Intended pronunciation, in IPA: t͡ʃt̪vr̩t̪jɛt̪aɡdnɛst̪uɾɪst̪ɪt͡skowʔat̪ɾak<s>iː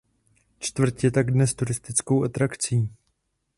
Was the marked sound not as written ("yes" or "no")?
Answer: yes